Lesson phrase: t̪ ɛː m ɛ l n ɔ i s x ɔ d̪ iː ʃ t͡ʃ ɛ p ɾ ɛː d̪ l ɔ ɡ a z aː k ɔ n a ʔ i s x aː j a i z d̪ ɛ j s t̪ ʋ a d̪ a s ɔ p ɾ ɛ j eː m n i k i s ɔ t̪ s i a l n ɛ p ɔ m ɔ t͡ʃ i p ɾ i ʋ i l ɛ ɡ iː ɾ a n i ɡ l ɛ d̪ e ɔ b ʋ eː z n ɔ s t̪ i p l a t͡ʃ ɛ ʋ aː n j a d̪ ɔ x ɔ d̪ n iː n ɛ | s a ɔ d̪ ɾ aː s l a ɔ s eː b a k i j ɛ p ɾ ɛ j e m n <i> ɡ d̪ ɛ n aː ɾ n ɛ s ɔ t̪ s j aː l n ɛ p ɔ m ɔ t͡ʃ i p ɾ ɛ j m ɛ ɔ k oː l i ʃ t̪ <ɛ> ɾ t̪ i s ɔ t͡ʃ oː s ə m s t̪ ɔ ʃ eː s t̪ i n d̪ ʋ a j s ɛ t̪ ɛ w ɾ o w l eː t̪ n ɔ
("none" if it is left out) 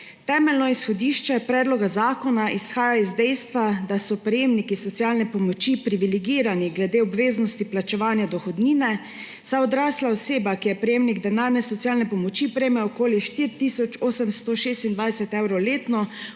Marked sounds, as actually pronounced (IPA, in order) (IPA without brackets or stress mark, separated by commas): i, i